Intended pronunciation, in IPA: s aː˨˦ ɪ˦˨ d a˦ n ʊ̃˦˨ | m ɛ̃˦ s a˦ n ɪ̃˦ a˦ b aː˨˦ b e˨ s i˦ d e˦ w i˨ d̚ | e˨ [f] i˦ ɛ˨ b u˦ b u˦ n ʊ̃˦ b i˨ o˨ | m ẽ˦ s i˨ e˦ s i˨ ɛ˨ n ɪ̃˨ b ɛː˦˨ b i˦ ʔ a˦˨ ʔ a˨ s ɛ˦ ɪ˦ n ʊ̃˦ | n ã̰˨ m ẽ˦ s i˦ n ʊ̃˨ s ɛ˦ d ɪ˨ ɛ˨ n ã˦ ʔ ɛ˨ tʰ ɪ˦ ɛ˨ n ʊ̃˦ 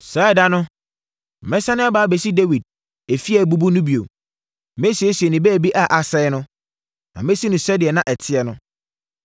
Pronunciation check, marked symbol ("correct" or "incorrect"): correct